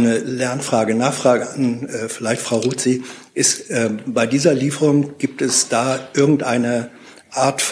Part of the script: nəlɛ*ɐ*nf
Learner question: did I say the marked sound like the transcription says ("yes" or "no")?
yes